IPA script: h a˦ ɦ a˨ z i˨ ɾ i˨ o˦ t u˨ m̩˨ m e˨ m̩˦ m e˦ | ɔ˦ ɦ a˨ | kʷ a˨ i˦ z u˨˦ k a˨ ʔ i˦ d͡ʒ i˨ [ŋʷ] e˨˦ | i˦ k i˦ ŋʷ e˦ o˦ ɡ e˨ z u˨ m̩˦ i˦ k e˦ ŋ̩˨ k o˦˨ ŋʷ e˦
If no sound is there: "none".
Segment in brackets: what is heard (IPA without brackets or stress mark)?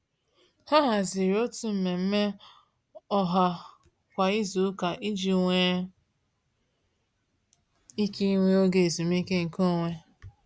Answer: ŋʷ